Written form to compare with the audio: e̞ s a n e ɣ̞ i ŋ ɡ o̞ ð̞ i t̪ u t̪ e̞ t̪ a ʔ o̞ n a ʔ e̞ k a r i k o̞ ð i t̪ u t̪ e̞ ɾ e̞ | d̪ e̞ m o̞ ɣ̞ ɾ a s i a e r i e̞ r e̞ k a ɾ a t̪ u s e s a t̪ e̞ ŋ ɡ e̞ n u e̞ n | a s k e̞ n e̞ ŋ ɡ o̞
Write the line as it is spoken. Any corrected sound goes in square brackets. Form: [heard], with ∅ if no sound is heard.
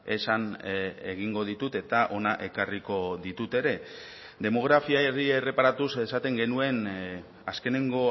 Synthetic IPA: e̞ s a n e ɣ̞ i ŋ ɡ o̞ ð̞ i t̪ u t̪ e̞ t̪ a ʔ o̞ n a ʔ e̞ k a r i k o̞ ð i t̪ u t̪ e̞ ɾ e̞ | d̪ e̞ m o̞ ɣ̞ ɾ a [f] i a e r i e̞ r e̞ [p] a ɾ a t̪ u s e s a t̪ e̞ ŋ ɡ e̞ n u e̞ n | a s k e̞ n e̞ ŋ ɡ o̞